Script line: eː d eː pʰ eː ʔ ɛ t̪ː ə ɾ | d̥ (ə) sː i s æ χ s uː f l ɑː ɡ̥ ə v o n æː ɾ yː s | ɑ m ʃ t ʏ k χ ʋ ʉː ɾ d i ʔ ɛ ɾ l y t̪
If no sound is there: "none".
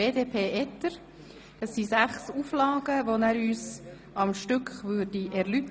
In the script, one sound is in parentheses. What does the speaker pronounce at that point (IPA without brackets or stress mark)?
ɑ